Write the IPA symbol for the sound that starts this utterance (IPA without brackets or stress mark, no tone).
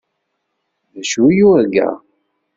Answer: ð